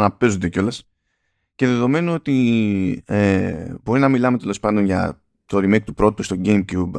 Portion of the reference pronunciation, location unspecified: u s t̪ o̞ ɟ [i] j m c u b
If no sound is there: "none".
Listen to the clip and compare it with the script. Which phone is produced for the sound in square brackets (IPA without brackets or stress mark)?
e